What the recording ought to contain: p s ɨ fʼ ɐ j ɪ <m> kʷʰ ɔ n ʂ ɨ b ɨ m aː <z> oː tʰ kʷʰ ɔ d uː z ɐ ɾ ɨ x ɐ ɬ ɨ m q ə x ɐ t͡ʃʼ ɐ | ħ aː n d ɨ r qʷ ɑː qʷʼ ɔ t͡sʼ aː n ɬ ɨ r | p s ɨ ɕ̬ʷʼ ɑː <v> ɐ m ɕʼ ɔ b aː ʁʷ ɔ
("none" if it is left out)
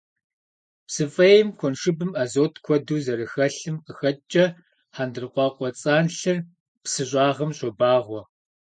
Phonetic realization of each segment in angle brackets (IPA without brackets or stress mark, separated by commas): m, z, ʁ